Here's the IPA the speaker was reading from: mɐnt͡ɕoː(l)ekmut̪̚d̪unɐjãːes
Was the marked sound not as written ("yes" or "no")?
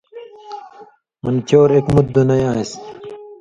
yes